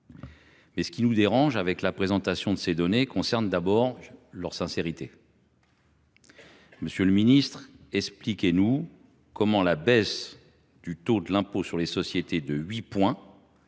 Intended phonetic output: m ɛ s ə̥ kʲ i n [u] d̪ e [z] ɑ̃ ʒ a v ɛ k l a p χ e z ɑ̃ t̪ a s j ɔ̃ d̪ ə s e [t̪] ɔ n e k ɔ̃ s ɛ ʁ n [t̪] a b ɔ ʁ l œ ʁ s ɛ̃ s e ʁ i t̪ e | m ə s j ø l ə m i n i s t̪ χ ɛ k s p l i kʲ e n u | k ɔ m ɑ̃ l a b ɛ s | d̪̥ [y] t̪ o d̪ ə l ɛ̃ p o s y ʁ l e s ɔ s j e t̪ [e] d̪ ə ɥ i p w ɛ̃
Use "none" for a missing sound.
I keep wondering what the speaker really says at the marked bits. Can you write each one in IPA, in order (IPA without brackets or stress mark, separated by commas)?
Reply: u, ʁ, d̪, d̪, y, e